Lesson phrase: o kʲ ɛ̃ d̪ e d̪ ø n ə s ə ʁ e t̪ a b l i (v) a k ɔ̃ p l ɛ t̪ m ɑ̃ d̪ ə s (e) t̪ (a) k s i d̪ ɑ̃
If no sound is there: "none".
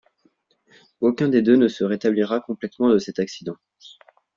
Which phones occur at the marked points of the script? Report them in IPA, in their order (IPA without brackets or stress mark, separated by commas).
ʁ, ɛ, a